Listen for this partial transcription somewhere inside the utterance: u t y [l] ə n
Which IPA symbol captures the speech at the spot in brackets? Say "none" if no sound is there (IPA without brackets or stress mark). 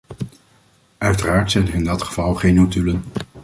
l